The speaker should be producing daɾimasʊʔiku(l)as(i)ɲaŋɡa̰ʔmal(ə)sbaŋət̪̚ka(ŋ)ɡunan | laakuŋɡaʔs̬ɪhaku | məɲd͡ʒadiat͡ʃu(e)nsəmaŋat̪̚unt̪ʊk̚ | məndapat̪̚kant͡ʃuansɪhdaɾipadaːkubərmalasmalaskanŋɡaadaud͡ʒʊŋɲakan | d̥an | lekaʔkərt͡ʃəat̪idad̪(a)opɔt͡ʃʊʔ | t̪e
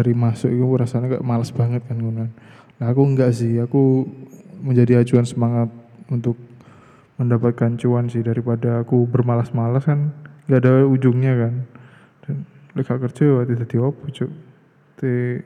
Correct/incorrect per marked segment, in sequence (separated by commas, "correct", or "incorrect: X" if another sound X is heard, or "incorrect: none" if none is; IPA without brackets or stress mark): incorrect: ɾ, incorrect: a, incorrect: a, incorrect: n, incorrect: a, incorrect: i